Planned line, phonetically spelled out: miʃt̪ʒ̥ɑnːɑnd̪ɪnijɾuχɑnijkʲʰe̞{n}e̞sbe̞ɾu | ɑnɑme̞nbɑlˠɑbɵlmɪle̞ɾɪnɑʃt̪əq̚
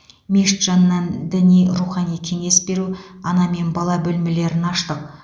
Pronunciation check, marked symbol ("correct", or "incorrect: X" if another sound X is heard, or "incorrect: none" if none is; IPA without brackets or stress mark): incorrect: ŋ